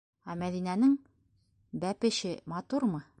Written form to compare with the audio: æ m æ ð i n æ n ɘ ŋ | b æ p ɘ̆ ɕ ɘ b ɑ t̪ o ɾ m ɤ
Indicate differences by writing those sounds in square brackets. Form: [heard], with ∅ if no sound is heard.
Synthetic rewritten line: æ m æ ð i n æ n ɘ ŋ | b æ p ɘ̆ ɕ ɘ [m] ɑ t̪ [u] ɾ m ɤ